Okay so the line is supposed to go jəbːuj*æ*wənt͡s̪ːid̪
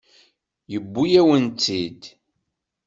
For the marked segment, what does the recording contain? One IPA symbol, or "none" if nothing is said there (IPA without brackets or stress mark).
æ